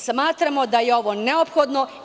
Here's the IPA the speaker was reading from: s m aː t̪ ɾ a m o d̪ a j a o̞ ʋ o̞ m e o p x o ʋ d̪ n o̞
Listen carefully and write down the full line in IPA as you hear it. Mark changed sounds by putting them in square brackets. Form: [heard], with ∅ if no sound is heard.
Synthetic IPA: s m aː t̪ ɾ a m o d̪ a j [e] o̞ ʋ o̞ [n] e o p x o [∅] d̪ n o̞